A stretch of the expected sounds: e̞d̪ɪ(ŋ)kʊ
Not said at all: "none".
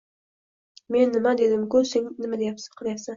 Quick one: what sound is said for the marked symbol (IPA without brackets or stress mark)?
m